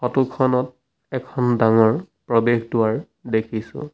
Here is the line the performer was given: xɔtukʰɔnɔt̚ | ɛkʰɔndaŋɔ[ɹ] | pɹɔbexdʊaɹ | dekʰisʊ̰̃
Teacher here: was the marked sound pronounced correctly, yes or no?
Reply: yes